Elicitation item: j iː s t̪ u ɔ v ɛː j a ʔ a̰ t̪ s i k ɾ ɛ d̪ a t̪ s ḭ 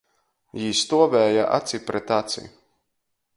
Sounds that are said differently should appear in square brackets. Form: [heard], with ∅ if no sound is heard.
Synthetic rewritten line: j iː s t̪ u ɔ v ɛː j a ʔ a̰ t̪ s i [p] ɾ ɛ [t̪] a t̪ s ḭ